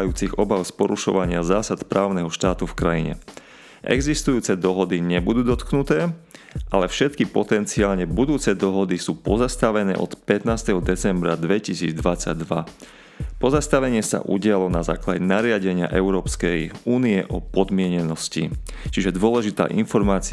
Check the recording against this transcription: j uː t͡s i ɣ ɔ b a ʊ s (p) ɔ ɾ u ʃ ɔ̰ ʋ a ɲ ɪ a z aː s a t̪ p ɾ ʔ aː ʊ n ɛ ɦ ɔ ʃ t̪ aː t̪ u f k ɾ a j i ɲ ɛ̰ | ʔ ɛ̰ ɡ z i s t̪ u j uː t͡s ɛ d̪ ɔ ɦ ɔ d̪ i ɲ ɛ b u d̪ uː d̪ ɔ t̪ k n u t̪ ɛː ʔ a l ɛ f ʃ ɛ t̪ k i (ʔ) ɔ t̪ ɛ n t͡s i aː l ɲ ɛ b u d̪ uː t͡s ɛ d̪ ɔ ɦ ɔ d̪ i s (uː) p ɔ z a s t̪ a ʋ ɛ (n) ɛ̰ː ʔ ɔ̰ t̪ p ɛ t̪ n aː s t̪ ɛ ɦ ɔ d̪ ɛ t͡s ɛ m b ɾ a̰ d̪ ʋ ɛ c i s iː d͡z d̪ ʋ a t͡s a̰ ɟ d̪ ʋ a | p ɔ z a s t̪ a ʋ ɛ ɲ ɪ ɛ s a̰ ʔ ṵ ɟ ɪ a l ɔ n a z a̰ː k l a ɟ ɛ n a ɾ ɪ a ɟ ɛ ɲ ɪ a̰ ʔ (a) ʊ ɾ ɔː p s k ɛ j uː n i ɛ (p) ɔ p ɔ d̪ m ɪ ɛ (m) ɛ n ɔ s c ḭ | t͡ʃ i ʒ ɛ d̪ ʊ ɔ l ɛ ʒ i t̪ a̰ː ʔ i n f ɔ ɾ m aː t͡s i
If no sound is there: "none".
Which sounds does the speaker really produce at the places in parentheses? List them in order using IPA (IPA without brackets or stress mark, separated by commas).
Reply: p, p, uː, n, ɛ, ʔ, ɲ